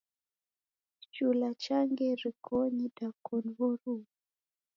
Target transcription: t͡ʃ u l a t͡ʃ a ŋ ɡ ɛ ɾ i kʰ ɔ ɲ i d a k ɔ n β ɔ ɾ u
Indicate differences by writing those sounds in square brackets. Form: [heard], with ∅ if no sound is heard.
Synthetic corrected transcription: t͡ʃ u l a t͡ʃ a ŋ ɡ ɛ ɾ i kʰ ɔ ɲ i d a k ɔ n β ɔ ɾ u